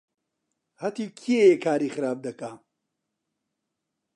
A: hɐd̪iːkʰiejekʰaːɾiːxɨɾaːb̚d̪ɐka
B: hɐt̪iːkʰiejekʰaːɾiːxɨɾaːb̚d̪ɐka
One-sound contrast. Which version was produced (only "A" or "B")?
B